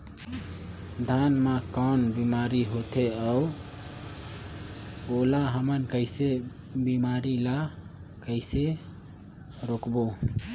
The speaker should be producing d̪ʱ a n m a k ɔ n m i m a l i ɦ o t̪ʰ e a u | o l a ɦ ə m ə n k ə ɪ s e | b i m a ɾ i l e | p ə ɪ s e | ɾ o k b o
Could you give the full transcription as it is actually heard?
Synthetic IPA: d̪ʱ a n m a k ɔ n b i m a ɾ i ɦ o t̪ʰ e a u | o l a ɦ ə m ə n k ə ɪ s e | b i m a ɾ i l a | k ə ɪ s e | ɾ o k b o